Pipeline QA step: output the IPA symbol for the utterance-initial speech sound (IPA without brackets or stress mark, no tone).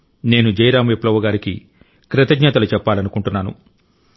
n